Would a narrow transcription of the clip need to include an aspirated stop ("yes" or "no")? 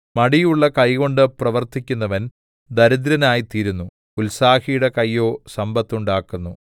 no